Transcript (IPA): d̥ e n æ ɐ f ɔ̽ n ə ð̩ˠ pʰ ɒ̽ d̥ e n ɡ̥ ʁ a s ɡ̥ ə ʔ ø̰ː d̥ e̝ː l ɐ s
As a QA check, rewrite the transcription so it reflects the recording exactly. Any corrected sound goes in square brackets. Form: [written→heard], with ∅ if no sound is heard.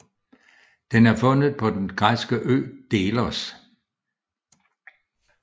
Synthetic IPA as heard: d̥ e n æ ɐ f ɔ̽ n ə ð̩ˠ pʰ ɒ̽ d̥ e n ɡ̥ ʁ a s ɡ̥ ə ʔ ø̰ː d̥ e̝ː l ɐ s

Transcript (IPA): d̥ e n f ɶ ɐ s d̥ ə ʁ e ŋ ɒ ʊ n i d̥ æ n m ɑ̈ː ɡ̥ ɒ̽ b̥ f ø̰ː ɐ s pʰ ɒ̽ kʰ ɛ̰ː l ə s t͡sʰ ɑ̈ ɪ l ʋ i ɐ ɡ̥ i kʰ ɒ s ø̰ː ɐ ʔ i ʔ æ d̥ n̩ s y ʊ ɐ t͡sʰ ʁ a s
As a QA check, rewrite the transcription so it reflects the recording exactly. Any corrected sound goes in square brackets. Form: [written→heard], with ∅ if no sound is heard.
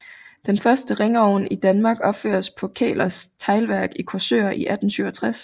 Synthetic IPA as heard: d̥ e n f ɶ ɐ s d̥ ə ʁ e ŋ ɒ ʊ n i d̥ æ n m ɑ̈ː ɡ̥ ɒ̽ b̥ f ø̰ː ɐ s pʰ ɒ̽ kʰ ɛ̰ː l [ə→ɐ] s t͡sʰ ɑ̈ ɪ l ʋ [i→æ] ɐ ɡ̥ i kʰ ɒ s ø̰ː ɐ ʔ i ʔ æ d̥ n̩ s y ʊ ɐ t͡sʰ ʁ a s

